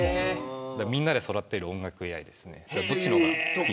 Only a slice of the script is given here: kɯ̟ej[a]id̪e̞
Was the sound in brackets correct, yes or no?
yes